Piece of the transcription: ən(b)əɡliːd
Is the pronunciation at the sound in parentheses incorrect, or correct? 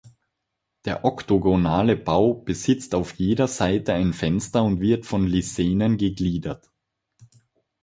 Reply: incorrect